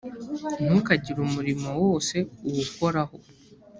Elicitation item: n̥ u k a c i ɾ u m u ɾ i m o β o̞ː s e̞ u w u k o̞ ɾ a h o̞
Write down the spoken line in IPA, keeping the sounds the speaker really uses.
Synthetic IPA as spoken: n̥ u k a ɟ i ɾ u m u ɾ i m o w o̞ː s e̞ u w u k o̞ ɾ a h o̞